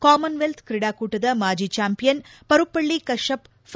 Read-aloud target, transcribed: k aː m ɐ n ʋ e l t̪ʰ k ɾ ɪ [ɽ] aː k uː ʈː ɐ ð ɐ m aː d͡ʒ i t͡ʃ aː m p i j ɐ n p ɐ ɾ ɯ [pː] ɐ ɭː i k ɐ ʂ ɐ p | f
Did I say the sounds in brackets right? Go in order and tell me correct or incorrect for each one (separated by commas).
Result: correct, correct